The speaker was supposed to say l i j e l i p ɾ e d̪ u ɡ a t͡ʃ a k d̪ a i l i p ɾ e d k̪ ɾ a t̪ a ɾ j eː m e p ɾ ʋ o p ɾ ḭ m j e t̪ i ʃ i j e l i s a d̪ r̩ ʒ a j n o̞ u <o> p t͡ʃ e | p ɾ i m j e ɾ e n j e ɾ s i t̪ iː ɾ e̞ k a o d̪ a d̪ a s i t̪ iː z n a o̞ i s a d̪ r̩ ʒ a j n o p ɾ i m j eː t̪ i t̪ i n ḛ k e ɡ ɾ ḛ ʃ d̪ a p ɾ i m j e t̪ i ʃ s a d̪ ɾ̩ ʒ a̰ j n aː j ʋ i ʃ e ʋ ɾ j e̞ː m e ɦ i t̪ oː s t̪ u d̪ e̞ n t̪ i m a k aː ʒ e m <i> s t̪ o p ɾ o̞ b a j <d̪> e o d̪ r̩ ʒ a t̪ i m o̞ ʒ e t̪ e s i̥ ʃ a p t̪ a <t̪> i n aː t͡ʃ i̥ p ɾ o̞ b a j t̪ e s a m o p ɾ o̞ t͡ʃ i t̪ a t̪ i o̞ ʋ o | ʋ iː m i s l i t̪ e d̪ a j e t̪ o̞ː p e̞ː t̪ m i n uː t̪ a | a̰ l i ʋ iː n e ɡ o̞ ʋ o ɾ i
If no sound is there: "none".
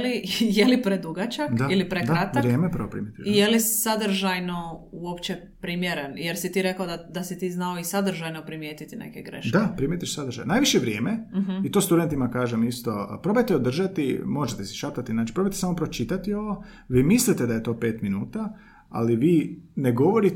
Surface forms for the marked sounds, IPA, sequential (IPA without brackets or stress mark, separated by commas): o, i, t̪, t̪